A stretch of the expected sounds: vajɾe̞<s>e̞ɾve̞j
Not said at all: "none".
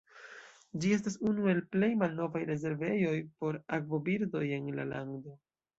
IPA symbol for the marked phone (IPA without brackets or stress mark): z